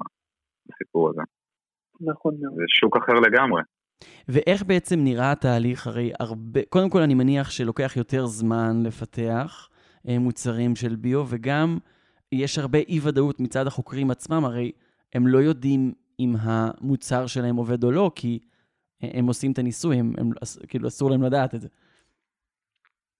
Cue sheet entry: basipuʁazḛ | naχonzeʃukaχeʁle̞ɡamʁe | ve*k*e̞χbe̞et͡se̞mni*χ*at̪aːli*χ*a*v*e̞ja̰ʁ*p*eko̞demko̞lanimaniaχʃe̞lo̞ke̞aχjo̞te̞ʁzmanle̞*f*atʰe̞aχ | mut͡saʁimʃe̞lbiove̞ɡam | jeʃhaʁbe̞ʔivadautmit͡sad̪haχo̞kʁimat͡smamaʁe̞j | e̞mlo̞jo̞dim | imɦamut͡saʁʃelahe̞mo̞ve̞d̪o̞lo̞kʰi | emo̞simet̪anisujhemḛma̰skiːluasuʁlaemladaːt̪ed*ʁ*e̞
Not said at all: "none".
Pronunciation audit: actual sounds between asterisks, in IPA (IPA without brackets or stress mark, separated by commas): ʔ, ʁ, χ, ʁ, b, f, z